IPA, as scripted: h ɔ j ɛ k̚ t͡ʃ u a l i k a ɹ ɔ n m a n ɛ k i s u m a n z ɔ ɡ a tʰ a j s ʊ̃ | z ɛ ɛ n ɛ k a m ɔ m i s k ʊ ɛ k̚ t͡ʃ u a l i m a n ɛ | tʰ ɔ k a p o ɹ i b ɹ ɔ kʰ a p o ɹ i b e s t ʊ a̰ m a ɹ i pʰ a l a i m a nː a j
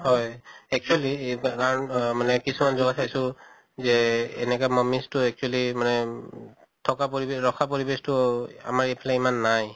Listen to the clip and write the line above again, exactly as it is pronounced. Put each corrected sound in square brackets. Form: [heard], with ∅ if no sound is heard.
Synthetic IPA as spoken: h ɔ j ɛ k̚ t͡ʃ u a l i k a ɹ ɔ n m a n ɛ k i s u m a n z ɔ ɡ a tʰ a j s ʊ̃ | z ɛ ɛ n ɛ k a m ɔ m i s [t] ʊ ɛ k̚ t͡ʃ u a l i m a n ɛ | tʰ ɔ k a p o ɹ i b ɹ ɔ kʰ a p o ɹ i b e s t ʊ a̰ m a ɹ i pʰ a l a i m a nː a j